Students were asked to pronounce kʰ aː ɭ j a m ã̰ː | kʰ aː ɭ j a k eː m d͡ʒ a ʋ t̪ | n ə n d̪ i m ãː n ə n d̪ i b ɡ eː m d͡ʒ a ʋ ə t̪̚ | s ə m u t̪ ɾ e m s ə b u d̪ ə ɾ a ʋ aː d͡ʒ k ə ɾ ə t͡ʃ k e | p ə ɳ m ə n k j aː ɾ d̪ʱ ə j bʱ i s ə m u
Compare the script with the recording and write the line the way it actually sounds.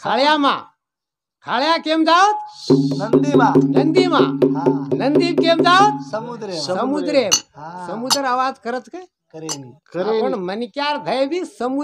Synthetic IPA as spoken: kʰ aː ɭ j a m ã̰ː | kʰ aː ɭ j a k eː m d͡ʒ a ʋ t̪ | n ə n d̪ i m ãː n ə n d̪ i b k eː m d͡ʒ a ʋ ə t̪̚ | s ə m u d̪ ɾ e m s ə m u d̪ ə ɾ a ʋ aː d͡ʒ k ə ɾ ə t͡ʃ k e | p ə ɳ m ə n k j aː ɾ d̪ʱ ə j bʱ i s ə m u